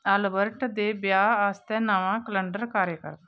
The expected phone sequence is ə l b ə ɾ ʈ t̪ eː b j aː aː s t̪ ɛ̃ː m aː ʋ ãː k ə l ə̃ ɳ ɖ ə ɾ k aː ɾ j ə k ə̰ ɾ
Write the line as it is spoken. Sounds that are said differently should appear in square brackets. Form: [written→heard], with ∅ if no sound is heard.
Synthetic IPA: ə l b ə ɾ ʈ [t̪→d̪] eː b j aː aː s t̪ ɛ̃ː [m→n] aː ʋ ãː k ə l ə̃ ɳ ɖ ə ɾ k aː ɾ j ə k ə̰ ɾ